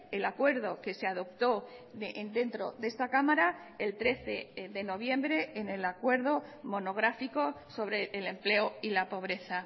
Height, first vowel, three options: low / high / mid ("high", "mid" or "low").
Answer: mid